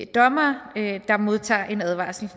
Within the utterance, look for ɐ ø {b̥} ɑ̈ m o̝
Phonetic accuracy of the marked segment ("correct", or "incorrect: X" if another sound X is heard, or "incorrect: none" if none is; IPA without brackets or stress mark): incorrect: d̥